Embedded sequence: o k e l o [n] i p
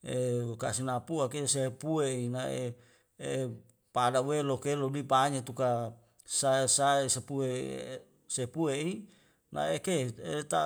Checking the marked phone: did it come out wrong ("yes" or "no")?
yes